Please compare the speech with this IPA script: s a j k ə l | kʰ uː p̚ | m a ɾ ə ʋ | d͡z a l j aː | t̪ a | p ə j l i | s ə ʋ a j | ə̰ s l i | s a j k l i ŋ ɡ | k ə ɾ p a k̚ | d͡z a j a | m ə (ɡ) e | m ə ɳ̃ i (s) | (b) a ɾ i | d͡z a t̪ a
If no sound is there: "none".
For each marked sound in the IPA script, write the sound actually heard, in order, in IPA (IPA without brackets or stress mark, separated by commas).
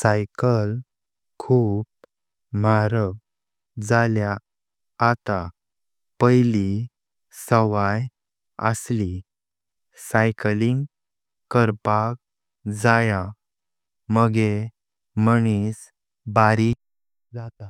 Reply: ɡ, s, b